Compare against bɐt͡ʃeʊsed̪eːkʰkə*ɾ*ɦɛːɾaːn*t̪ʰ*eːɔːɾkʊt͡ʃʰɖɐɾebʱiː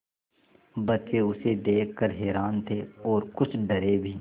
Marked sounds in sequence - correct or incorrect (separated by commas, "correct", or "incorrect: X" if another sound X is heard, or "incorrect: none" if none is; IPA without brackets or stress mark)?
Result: correct, correct